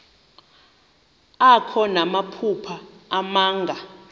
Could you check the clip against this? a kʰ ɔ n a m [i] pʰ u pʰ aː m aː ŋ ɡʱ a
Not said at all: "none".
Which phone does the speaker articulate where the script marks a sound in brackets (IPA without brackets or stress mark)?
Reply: a